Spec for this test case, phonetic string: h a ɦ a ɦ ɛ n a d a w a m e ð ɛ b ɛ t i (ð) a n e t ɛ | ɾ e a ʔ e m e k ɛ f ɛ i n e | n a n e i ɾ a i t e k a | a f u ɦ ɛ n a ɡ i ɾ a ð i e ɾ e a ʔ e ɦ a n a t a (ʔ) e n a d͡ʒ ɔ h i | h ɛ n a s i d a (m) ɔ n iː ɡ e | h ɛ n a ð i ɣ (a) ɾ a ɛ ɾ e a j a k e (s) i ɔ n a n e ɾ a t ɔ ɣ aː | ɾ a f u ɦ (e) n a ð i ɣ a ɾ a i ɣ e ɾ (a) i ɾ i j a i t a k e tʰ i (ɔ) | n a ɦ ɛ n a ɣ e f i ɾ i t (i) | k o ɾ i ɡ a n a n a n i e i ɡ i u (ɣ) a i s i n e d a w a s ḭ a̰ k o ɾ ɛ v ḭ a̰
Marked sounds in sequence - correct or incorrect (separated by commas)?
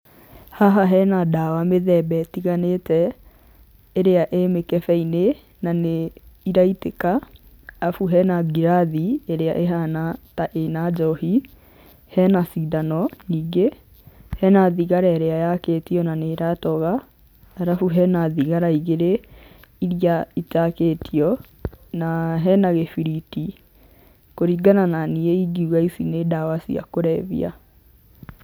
incorrect, correct, incorrect, correct, incorrect, incorrect, incorrect, correct, correct, correct